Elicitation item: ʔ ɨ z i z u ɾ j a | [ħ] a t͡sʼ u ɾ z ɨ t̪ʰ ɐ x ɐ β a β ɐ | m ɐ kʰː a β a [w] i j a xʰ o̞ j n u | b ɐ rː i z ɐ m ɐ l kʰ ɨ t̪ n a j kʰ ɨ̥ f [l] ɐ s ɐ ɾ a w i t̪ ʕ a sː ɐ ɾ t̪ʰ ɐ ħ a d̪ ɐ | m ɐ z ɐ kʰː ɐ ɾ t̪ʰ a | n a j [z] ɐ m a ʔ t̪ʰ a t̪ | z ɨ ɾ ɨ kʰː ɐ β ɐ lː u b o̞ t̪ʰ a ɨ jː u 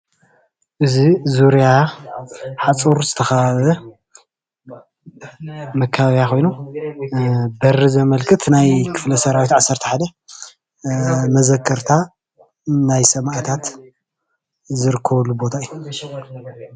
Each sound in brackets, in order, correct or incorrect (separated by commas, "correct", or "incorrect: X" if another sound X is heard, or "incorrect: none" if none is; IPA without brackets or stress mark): correct, incorrect: β, correct, incorrect: s